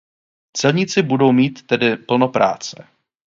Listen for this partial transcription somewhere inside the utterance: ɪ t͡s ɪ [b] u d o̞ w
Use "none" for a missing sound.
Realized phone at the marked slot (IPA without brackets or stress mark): b